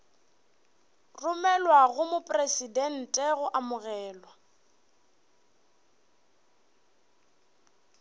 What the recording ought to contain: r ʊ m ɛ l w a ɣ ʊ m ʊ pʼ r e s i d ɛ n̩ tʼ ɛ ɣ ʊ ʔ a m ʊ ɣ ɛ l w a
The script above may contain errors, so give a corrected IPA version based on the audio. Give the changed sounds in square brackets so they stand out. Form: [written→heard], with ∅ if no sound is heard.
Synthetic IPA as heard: r ʊ m ɛ l w a ɣ ʊ m ʊ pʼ r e s i d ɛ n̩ tʼ ɛ ɣ ʊ ʔ a m ʊ ɣ [ɛ→ɛː] l w a